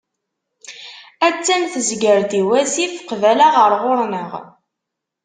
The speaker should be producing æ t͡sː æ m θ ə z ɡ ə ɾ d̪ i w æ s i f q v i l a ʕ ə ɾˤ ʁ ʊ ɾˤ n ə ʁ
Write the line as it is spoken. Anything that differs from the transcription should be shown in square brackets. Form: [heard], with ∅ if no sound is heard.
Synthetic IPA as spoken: æ t͡sː æ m θ ə z ɡ ə ɾ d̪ i w æ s i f q v [æ] l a [ʁ] ə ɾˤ ʁ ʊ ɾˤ n ə ʁ